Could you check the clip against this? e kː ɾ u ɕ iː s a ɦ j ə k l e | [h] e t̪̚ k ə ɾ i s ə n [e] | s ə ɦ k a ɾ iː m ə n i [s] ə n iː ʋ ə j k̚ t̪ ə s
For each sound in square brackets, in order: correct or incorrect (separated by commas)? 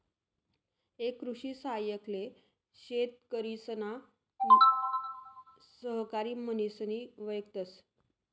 incorrect, incorrect, correct